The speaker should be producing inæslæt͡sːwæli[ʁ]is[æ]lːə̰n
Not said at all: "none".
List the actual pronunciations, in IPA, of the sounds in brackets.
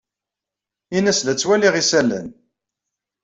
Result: ʁ, æ

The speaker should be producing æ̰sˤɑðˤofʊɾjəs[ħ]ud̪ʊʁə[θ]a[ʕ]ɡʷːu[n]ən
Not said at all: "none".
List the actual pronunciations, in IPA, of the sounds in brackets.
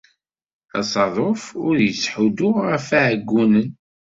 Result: ħ, f, ʕ, n

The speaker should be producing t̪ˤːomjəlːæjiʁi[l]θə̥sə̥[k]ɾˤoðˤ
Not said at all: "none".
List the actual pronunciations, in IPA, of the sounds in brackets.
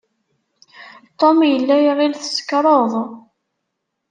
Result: l, k

